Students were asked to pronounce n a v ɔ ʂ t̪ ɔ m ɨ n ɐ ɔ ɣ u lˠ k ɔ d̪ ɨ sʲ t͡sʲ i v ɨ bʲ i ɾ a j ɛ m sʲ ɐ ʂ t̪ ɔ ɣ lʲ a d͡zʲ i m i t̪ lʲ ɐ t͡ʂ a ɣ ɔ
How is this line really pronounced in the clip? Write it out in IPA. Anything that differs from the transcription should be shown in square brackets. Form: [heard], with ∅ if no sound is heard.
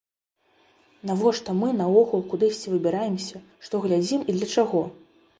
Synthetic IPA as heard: n a v ɔ ʂ t̪ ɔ m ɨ n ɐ ɔ ɣ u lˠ k [u] d̪ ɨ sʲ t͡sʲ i v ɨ bʲ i ɾ a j ɛ m sʲ ɐ ʂ t̪ ɔ ɣ lʲ a d͡zʲ i m i [d̪] lʲ ɐ t͡ʂ a ɣ ɔ